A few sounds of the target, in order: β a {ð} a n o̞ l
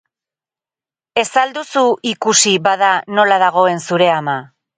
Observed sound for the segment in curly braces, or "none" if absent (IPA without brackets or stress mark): ð